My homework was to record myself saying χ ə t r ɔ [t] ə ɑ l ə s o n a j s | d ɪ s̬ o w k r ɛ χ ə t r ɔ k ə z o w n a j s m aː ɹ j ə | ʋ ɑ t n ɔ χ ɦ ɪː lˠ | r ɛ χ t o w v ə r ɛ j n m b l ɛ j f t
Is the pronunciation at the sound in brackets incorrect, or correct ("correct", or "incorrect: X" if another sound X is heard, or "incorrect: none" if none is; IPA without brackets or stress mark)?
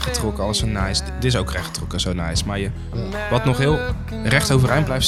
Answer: incorrect: k